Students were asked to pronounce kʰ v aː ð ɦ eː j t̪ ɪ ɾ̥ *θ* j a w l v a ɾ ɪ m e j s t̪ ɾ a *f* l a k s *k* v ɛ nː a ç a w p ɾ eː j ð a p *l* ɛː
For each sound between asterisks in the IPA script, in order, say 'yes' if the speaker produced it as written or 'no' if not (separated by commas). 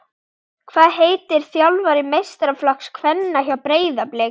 yes, yes, no, yes